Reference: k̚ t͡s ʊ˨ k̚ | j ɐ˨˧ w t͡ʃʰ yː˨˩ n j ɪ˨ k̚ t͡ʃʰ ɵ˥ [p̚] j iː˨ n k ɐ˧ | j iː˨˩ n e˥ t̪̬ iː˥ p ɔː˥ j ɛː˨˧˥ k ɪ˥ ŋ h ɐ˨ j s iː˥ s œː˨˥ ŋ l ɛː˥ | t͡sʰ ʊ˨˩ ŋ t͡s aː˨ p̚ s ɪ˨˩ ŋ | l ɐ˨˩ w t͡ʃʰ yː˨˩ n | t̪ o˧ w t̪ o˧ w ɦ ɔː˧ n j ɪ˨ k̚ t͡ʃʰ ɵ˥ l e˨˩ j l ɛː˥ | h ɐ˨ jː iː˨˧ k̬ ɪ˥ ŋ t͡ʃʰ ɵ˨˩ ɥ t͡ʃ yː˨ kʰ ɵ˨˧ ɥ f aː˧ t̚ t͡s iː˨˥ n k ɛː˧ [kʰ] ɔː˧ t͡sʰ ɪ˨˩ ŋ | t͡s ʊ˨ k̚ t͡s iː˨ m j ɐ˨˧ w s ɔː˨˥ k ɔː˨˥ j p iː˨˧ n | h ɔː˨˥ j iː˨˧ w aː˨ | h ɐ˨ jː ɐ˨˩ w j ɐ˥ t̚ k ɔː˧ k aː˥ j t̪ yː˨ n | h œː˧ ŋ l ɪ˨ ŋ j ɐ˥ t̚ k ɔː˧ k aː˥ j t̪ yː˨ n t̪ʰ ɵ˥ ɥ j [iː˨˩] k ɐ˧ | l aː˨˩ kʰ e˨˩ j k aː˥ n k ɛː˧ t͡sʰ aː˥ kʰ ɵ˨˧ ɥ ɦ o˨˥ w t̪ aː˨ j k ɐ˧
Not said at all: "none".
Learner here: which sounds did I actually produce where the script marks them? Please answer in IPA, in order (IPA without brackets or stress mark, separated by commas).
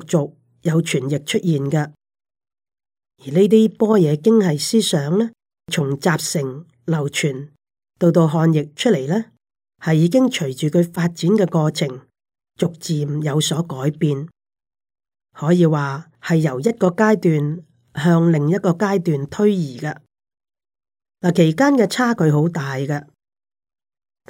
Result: t̚, k, iː˨˩